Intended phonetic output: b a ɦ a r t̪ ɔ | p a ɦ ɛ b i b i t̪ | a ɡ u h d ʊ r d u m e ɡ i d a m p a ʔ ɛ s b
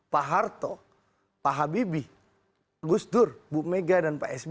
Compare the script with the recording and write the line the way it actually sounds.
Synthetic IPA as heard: p a ɦ a r t̪ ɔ | p a ɦ a b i b i | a ɡ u s d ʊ r b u m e ɡ a d a n p a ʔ ɛ s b